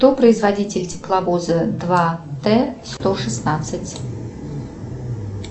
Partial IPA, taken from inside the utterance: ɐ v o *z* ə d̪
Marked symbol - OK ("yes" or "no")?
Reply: yes